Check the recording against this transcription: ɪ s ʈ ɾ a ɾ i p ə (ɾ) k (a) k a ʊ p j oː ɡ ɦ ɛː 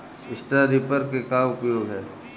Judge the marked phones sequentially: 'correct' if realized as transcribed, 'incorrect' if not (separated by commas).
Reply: correct, incorrect